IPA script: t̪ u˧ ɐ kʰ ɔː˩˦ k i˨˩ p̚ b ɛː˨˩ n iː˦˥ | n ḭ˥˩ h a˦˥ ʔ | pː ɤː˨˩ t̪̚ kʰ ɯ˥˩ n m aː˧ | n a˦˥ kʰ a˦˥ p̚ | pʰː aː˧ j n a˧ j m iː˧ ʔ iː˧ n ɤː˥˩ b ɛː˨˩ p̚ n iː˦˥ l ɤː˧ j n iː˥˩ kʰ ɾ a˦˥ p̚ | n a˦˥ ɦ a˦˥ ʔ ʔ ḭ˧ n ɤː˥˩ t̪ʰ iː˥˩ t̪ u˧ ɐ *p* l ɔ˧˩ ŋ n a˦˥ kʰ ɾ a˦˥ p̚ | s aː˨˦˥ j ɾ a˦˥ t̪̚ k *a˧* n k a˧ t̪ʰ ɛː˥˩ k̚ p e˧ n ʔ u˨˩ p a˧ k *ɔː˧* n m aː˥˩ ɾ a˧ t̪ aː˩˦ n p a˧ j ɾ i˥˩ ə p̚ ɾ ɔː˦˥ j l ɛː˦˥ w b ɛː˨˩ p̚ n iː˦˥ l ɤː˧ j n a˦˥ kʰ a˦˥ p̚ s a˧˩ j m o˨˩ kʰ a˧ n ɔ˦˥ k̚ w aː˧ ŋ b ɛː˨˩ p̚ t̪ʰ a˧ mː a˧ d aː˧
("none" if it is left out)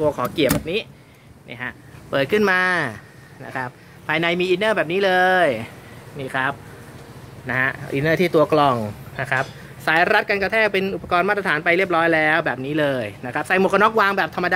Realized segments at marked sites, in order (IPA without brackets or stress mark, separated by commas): k, a˧, ɔː˧